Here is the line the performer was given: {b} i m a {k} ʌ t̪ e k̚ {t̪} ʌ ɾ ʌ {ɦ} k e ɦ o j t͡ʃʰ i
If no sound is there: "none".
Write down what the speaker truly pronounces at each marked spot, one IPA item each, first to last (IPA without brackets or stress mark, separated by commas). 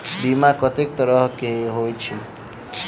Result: b, k, t̪, ɦ